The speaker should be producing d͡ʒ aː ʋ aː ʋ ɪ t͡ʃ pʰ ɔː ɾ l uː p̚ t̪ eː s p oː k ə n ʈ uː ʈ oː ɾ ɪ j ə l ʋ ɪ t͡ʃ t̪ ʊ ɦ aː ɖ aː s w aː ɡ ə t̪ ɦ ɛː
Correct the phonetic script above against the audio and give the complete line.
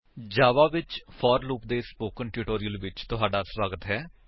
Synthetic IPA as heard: d͡ʒ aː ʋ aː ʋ ɪ t͡ʃ pʰ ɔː ɾ l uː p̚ d̪ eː s p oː k ə n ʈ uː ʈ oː ɾ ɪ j ə l ʋ ɪ t͡ʃ t̪ ʊ ɦ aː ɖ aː s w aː ɡ ə t̪ ɦ ɛː